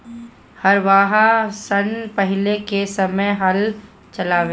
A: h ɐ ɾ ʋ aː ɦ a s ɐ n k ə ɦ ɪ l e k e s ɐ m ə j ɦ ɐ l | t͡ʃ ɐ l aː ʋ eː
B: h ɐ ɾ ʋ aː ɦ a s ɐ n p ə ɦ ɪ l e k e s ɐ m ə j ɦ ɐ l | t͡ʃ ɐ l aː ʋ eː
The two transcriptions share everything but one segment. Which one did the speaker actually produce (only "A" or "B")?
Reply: B